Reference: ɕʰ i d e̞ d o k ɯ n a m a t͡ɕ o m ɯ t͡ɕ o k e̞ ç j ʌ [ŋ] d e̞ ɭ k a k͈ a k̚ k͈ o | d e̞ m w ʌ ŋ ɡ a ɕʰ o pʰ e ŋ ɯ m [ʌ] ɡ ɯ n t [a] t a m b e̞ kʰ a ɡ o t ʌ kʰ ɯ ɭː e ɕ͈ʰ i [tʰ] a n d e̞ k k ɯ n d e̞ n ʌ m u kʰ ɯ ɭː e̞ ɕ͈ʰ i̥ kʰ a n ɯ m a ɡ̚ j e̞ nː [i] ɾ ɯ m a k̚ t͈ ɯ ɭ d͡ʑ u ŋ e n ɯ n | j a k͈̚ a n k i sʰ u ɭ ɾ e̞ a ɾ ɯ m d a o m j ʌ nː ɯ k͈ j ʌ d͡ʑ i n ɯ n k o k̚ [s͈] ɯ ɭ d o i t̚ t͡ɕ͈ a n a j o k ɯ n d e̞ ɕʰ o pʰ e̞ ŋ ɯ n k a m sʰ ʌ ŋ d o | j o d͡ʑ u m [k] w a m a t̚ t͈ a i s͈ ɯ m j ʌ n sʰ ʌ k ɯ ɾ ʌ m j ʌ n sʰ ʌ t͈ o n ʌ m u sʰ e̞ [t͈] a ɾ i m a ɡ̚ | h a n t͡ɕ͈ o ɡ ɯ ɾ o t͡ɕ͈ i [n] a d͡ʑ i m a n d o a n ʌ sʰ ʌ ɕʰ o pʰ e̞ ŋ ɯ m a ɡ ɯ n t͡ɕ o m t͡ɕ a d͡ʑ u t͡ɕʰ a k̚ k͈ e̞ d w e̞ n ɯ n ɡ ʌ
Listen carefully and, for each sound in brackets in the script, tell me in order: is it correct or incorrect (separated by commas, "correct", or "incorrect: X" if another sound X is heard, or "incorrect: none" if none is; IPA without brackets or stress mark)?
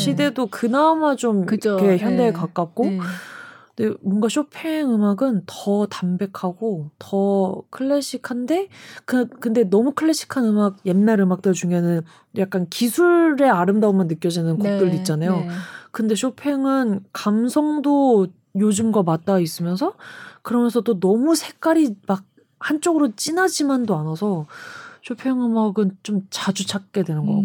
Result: incorrect: n, incorrect: a, incorrect: ʌ, incorrect: kʰ, incorrect: a, incorrect: t͈, incorrect: ɡ, incorrect: k͈, correct